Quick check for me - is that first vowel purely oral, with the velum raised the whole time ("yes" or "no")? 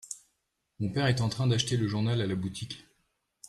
no